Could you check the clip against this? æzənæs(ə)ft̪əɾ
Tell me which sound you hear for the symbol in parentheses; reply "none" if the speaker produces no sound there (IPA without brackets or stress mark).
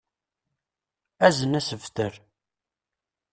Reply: ə